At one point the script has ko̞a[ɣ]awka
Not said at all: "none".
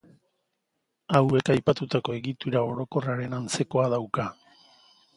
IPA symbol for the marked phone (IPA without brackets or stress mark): ð